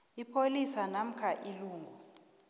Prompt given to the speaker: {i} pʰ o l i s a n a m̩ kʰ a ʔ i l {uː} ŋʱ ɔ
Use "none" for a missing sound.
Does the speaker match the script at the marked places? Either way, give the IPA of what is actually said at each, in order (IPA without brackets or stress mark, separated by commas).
i, uː